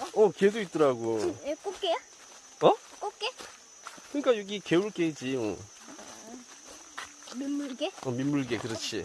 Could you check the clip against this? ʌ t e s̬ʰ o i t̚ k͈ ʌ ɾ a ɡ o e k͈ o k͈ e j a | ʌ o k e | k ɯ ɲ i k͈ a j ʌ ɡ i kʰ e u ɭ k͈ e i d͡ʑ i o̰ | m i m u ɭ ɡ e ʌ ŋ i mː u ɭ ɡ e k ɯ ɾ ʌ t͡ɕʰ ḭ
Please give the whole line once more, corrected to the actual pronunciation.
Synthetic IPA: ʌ k e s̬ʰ o i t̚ t͈ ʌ ɾ a ɡ o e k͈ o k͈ e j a | ʌ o k e | k ɯ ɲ i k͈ a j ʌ ɡ i k e u ɭ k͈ e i d͡ʑ i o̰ | m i m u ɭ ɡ e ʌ m i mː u ɭ ɡ e k ɯ ɾ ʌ t͡ɕʰ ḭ